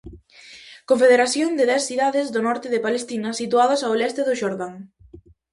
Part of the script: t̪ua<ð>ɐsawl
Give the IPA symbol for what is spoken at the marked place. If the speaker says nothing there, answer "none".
ð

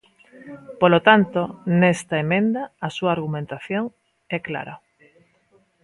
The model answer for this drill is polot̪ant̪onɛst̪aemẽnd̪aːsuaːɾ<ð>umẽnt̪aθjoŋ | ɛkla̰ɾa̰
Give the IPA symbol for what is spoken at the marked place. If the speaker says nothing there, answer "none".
ɣ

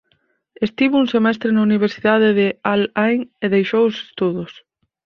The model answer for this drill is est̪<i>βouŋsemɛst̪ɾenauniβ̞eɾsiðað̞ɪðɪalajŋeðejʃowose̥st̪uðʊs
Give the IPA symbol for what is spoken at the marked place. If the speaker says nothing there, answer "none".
i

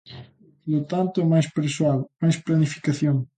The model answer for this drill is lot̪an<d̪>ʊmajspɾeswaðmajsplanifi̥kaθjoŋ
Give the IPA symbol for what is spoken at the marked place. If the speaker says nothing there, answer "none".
t̪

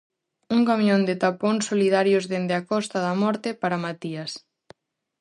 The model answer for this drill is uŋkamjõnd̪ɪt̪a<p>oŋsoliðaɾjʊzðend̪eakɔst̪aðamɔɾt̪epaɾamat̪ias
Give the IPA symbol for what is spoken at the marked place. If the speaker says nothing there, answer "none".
p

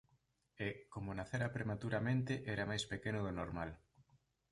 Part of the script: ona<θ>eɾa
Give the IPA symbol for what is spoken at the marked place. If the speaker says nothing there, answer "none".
θ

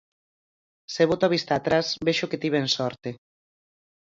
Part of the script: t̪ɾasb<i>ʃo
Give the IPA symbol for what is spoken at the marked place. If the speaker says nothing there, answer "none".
e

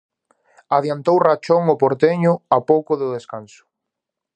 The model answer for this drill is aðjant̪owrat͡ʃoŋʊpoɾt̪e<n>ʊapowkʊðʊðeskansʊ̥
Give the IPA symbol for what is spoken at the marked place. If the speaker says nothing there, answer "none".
ɲ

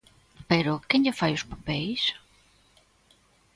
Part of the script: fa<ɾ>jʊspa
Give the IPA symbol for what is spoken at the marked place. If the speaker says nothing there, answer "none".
none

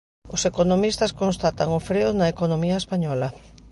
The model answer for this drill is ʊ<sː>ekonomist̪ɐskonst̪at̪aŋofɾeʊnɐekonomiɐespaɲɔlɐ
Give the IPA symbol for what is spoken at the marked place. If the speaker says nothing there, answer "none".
s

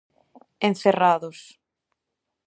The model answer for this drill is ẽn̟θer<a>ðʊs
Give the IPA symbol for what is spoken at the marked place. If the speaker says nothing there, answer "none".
a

